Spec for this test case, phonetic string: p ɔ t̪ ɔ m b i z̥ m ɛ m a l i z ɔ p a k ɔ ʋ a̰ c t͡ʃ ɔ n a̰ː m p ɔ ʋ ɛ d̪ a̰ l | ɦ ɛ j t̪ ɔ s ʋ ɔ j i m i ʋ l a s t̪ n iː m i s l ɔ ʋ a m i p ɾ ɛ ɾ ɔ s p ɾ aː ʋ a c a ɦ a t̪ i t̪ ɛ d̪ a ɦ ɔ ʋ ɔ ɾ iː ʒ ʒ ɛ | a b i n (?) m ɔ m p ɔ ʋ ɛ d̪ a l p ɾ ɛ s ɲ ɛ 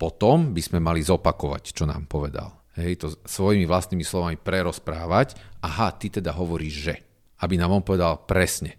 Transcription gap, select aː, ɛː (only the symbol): aː